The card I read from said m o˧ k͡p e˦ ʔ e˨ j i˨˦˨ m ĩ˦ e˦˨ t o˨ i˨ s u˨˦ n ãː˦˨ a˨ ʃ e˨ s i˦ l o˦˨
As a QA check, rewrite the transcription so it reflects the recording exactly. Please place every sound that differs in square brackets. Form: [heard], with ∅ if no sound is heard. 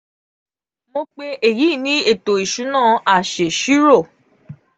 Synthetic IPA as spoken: m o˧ k͡p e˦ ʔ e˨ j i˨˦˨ [n] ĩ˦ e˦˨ t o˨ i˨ [ʃ] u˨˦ n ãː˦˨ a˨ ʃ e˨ [ʃ] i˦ [ɾ] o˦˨

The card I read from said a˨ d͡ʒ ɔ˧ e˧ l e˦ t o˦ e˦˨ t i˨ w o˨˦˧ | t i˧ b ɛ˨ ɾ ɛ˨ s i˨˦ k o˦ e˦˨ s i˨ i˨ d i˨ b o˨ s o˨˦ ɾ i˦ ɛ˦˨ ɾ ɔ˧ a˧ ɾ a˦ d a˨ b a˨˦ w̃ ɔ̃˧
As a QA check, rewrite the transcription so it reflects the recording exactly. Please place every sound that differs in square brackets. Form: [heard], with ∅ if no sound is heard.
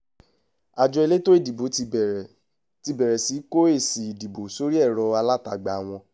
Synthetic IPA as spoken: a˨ d͡ʒ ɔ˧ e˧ l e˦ t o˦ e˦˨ [d] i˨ [b] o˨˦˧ | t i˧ b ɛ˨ ɾ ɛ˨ s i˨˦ k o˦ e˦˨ s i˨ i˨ d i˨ b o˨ s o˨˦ ɾ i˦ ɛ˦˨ ɾ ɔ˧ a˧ [l] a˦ [t] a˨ [ɡ͡b] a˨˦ w̃ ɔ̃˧

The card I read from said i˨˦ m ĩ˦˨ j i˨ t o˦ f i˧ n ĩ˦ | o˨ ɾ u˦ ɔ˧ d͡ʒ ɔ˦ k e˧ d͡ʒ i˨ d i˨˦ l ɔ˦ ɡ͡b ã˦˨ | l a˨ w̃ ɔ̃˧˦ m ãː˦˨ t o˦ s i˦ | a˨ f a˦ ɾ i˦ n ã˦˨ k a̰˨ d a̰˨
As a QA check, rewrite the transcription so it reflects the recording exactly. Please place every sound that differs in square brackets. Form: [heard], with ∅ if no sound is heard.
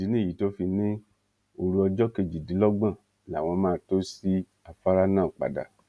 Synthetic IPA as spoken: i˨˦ [n] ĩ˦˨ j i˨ t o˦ f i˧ n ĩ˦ | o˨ ɾ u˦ ɔ˧ d͡ʒ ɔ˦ k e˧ d͡ʒ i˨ d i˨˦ l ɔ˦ ɡ͡b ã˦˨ | l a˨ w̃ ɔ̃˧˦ m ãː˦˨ t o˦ s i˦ | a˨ f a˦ ɾ [a˦] n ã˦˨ [k͡p] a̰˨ d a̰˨

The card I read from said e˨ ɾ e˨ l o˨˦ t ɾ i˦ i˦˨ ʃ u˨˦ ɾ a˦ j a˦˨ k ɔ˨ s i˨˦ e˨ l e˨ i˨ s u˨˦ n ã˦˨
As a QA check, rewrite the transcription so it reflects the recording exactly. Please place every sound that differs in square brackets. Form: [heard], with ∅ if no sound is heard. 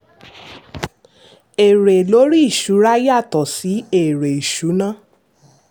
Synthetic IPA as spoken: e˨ ɾ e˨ l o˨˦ [∅] ɾ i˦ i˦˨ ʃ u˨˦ ɾ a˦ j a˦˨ [t] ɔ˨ s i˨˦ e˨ [ɾ] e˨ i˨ [ʃ] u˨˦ n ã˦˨

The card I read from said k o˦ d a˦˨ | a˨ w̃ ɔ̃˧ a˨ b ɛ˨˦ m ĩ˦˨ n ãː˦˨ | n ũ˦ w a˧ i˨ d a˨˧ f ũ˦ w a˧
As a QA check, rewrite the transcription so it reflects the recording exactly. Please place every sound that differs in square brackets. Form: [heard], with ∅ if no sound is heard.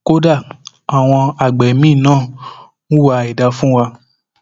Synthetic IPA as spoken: k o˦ d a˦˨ | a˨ w̃ ɔ̃˧ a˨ [ɡ͡b] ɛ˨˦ m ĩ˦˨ n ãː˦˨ | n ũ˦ w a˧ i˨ d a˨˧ f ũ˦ w a˧

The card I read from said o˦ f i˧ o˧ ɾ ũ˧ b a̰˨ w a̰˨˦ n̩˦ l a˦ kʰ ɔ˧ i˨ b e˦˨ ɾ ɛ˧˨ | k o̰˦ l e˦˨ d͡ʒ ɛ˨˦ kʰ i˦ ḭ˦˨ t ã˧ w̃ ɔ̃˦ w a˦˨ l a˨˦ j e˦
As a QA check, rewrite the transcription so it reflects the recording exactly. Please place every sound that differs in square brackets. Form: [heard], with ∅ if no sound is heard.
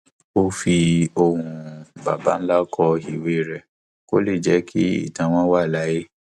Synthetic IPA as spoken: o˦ f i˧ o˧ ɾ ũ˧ b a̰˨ [b] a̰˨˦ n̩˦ l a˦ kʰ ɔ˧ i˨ [w] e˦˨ ɾ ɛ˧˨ | k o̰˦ l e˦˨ d͡ʒ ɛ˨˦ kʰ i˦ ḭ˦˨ t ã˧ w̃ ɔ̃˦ w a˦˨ l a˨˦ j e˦

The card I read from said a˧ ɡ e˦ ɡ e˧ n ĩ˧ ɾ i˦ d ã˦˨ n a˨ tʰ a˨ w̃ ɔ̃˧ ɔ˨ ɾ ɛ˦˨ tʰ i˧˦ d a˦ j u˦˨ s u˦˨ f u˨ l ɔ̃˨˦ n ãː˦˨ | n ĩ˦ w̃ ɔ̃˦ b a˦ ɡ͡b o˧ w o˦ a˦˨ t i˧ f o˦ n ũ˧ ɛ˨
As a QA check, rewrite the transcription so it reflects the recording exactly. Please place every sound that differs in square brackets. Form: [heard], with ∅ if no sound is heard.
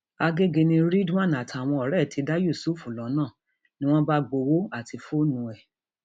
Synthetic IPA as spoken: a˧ ɡ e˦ ɡ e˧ n ĩ˧ ɾ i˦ d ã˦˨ n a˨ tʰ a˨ w̃ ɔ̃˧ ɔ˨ ɾ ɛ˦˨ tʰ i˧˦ d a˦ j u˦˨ s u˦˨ f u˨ l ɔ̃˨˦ n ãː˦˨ | n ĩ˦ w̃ ɔ̃˦ b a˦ ɡ͡b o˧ w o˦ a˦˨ t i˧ f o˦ n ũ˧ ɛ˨

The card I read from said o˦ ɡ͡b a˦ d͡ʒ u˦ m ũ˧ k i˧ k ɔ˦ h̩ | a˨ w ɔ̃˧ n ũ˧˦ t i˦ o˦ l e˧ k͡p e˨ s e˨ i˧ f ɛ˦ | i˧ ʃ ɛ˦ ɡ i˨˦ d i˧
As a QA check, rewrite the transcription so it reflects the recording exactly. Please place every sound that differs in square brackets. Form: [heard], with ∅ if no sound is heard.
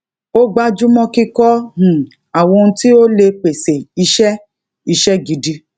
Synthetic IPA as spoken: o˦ ɡ͡b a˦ d͡ʒ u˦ m [ɔ̃˧] k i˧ k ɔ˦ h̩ | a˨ w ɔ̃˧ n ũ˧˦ t i˦ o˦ l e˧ k͡p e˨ s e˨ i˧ [ʃ] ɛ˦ | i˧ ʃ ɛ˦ ɡ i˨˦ d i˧

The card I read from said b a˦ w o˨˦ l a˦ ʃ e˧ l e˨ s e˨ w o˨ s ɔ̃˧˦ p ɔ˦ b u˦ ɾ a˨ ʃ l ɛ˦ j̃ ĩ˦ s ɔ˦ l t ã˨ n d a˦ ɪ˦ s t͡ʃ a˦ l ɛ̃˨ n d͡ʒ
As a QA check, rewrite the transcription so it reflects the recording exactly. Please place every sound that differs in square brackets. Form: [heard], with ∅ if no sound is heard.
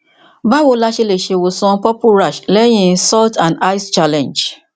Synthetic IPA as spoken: b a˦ w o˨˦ l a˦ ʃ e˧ l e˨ [ʃ] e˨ w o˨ s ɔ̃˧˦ p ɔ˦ [p] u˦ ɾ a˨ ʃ l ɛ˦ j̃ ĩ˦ s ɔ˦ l t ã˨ n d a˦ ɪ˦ s t͡ʃ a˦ l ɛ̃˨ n d͡ʒ

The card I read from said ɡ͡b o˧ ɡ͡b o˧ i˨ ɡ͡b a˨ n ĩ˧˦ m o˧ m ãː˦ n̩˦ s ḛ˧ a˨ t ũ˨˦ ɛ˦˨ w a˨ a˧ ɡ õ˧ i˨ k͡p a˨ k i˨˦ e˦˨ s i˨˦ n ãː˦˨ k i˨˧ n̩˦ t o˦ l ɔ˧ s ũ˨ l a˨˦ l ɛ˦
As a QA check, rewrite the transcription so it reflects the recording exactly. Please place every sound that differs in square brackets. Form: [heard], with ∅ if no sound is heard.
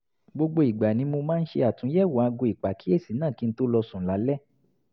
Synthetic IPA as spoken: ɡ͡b o˧ ɡ͡b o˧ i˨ ɡ͡b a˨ n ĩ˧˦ m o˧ m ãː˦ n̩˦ [ʃ] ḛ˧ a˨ t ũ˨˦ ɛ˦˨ w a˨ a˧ ɡ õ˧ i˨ k͡p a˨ k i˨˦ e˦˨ s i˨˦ n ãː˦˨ k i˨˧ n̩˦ t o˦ l ɔ˧ s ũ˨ l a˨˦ l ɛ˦

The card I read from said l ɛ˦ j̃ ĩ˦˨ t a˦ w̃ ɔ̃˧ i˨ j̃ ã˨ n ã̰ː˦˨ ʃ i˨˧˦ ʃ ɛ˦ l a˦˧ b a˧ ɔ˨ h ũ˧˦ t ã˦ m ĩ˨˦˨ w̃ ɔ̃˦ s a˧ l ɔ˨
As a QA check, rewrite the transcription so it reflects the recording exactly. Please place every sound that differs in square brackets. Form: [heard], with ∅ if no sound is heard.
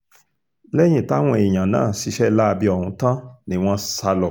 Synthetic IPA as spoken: l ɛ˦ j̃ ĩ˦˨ t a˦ w̃ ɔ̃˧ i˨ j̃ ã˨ n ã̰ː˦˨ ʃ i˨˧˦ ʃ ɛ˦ l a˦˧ b [i˧] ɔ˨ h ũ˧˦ t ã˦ [n] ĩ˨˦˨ w̃ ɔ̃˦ s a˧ l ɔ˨

